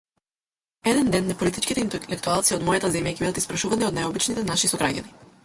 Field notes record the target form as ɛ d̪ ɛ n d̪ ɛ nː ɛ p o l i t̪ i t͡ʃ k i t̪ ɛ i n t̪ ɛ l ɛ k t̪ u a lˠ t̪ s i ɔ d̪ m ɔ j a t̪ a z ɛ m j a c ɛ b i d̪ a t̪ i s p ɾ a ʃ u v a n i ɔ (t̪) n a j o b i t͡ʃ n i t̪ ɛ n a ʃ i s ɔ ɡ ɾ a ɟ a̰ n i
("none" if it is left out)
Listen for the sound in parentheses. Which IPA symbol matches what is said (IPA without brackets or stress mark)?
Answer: d̪